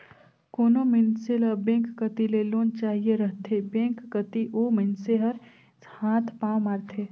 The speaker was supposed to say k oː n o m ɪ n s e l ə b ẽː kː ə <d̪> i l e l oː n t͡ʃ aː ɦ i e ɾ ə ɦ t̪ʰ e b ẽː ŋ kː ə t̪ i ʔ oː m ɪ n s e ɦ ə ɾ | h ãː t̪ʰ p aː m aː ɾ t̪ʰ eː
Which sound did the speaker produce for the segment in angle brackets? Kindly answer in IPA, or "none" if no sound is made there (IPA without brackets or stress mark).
t̪